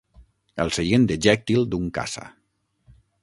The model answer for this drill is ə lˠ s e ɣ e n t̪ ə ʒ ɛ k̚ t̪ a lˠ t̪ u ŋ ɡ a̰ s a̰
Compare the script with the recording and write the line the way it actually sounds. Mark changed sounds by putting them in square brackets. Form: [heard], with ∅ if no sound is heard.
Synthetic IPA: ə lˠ s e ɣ e n [d̪] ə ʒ ɛ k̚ t̪ [i] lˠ [d̪] u ŋ [k] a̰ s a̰